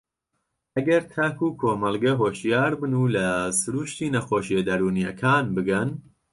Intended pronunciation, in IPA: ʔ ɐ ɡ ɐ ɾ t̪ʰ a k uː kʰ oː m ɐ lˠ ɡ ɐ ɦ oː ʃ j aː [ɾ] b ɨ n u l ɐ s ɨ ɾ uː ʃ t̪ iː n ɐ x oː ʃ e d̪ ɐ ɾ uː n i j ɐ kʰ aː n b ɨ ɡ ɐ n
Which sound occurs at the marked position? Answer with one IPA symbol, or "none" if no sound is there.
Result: ɾ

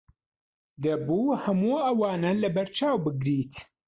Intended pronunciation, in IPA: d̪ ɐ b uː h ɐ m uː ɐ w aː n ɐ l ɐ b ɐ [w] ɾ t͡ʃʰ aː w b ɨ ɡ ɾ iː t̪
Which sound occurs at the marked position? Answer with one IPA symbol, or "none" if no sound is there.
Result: none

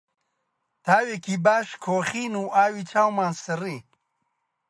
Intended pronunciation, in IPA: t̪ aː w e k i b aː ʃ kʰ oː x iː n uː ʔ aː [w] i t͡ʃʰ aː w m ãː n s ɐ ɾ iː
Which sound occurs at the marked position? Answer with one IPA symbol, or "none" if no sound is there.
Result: w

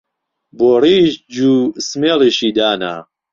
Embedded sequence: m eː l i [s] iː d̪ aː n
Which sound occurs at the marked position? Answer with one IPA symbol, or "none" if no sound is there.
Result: ʃ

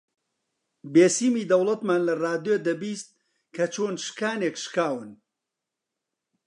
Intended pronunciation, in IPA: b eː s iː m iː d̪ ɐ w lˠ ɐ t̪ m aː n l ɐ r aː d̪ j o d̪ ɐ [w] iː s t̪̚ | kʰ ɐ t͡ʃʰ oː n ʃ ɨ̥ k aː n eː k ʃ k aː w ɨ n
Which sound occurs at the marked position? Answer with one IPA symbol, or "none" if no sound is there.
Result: b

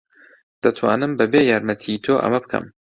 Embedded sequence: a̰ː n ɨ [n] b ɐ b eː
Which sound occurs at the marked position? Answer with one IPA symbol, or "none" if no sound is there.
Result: m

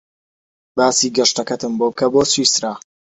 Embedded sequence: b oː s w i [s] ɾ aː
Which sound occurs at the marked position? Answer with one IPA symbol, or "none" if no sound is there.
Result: s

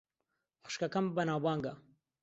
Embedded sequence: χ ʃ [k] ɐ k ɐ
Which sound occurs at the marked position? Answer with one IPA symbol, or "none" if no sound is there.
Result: k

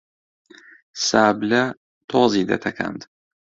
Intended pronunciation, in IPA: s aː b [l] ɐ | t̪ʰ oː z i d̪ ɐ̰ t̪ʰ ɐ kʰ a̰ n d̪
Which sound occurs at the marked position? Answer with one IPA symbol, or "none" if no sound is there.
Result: l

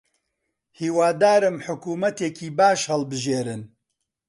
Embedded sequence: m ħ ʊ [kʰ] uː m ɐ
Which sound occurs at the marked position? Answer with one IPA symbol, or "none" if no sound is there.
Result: k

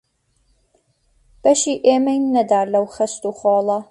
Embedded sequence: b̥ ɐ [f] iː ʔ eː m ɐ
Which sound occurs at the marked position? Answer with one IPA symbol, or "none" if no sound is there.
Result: ʃ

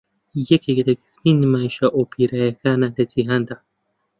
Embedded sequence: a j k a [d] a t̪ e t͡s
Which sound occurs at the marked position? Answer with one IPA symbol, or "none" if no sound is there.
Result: n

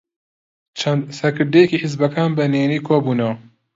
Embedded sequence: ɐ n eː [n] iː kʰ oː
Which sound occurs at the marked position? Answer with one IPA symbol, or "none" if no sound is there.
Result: n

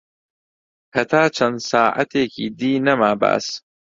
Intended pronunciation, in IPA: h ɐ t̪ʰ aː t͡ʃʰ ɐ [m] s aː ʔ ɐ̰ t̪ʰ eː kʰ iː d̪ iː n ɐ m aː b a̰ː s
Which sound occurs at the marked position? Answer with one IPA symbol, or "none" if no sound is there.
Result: n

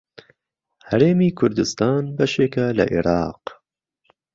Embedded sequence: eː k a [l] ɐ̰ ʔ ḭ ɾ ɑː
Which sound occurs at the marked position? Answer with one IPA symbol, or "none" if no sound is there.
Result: l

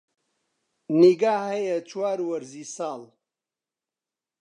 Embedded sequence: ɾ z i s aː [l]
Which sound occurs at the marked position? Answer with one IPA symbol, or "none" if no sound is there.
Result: l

